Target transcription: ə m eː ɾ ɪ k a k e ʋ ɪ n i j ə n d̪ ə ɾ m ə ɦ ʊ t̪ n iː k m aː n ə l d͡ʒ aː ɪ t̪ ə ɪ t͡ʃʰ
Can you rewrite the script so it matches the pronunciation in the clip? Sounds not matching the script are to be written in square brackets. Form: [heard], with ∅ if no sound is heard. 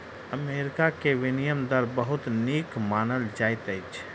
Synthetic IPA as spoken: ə m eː ɾ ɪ k a k e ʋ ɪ n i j ə [m] d̪ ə ɾ [b] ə ɦ ʊ t̪ n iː k m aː n ə l d͡ʒ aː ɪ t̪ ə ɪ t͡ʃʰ